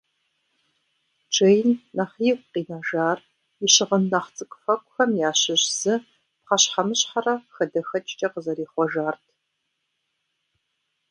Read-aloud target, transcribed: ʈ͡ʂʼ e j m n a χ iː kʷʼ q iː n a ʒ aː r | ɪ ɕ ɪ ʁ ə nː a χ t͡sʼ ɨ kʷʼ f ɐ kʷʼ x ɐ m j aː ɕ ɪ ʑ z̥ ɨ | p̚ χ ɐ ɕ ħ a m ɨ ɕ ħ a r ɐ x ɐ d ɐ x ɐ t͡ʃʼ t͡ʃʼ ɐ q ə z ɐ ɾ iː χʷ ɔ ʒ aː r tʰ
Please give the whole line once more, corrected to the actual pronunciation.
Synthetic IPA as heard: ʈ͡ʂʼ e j n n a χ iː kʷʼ q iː n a ʒ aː r | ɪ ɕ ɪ ʁ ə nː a χ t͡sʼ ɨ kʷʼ f ɐ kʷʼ x ɐ m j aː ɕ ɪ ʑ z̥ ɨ | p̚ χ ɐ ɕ ħ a m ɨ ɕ ħ a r ɐ x ɐ d ɐ x ɐ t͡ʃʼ t͡ʃʼ ɐ q ə z ɐ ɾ iː χʷ ɔ ʒ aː r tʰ